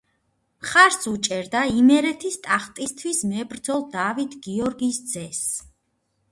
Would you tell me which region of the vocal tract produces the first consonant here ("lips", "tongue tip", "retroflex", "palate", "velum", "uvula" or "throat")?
uvula